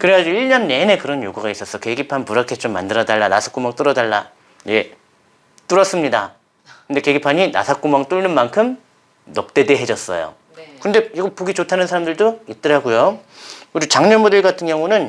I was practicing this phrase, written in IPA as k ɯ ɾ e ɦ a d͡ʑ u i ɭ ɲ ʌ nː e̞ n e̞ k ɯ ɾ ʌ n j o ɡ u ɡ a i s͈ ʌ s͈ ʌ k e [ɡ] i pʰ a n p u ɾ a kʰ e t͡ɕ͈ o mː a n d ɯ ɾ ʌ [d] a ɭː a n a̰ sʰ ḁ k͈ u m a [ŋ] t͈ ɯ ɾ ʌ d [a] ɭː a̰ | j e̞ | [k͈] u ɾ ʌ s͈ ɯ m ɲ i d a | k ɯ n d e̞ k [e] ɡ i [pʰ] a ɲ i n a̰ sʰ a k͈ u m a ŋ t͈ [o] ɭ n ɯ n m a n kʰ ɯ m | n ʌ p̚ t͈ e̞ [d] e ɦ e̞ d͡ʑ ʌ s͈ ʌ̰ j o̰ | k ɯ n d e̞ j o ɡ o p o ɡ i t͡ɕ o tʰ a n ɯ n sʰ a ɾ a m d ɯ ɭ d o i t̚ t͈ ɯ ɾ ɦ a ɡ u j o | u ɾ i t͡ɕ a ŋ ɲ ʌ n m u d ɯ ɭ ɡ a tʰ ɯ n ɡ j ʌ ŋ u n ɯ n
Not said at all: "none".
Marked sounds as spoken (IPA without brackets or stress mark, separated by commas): ɡ, d, ŋ, a, t͈, e, pʰ, u, d